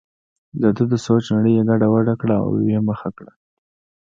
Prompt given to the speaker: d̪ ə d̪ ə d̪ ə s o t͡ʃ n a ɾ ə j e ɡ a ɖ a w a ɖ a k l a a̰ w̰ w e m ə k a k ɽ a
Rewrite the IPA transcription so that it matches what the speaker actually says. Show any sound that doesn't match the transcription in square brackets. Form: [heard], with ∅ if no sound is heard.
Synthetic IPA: d̪ ə d̪ ə d̪ ə s o t͡ʃ n a [ɽ] ə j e ɡ a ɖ a w a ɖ a k [ɽ] a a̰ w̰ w e m ə [x] a k ɽ a

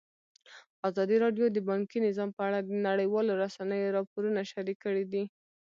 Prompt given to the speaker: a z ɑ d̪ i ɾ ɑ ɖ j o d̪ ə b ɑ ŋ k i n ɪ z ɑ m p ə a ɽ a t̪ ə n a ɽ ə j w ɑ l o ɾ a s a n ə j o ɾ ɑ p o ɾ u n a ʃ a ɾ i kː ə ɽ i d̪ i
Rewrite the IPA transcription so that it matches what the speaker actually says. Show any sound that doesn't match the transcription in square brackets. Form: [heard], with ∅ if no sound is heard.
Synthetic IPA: a z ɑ d̪ i ɾ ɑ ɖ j o d̪ ə b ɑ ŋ k i n ɪ z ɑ m p ə a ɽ a [d̪] ə n a ɽ ə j w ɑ l o ɾ a s a n ə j o ɾ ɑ p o ɾ u n a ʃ a ɾ i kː ə ɽ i d̪ i

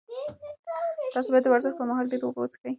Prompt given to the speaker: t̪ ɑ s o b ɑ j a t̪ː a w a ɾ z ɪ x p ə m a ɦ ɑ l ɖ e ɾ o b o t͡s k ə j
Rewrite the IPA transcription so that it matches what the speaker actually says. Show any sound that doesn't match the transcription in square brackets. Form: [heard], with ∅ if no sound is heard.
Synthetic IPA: t̪ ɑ s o b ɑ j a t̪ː [ə] w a ɾ z ɪ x p ə m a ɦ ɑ l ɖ e ɾ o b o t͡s k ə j

